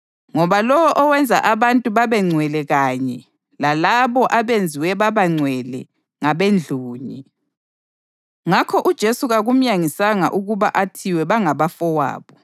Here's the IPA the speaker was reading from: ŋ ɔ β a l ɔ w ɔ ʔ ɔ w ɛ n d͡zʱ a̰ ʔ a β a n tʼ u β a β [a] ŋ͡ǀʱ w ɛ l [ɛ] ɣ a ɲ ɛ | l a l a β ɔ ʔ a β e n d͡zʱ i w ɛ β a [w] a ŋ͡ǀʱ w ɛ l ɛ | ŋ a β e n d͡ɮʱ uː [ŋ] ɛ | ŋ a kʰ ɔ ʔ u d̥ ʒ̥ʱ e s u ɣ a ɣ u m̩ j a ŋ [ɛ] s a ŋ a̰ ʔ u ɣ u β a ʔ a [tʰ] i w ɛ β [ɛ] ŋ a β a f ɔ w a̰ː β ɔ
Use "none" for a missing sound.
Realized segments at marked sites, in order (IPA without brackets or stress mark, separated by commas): ɛ, ɛ, β, ɲ, i, tʰ, a